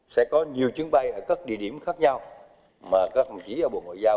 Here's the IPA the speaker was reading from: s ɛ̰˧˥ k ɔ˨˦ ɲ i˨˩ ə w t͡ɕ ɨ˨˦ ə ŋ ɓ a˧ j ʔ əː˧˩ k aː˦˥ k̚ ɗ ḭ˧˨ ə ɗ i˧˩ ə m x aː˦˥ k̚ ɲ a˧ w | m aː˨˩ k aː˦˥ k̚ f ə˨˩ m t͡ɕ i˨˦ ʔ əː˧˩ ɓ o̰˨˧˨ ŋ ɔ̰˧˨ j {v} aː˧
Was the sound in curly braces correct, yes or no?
no